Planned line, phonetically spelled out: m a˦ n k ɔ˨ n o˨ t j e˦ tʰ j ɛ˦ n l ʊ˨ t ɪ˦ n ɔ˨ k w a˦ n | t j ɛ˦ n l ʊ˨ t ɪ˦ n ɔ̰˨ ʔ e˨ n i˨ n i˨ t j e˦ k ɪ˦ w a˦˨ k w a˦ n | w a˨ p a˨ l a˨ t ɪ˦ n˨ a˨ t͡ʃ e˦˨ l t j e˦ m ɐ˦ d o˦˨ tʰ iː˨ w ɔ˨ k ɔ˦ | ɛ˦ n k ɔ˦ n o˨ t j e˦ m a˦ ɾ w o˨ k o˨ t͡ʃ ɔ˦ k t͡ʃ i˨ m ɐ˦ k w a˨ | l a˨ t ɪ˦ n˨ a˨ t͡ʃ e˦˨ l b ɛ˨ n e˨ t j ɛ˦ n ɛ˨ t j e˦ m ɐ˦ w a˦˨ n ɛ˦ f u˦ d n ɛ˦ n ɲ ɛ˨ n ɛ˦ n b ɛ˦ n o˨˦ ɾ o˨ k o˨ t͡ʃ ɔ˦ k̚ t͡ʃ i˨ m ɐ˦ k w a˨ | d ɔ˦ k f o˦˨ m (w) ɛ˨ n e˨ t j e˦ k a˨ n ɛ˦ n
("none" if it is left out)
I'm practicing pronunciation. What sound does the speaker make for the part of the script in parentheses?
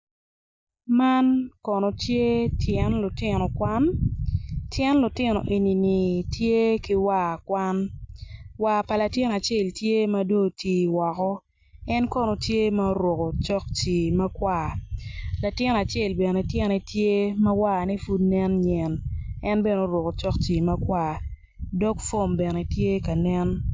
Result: b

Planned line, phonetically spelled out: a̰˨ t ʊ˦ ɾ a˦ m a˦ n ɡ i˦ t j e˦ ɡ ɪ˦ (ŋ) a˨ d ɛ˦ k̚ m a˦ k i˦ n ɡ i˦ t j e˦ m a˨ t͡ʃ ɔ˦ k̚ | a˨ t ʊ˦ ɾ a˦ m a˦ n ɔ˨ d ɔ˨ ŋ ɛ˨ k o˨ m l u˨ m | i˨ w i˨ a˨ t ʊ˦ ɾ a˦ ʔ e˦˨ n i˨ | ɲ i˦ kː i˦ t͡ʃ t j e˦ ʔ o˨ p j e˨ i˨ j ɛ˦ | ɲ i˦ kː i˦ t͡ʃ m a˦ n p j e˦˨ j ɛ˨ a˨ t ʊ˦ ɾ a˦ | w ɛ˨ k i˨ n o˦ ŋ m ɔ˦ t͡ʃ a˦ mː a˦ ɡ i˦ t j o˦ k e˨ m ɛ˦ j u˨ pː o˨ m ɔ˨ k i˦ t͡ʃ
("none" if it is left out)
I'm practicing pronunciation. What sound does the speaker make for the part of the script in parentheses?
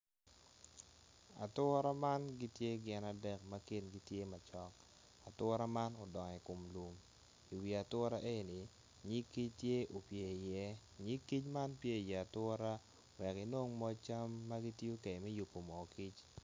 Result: n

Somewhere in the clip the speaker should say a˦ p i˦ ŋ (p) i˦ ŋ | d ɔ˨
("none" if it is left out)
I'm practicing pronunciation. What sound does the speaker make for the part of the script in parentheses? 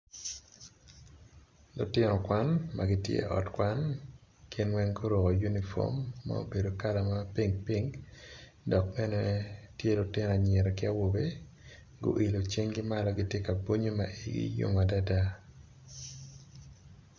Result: p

